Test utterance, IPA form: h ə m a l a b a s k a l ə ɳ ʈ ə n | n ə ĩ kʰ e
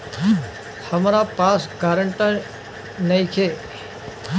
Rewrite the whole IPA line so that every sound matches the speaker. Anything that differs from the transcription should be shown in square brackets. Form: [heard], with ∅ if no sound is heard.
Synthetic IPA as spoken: h ə m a [ɾ] a [p] a s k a [ɾ] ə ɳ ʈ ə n | n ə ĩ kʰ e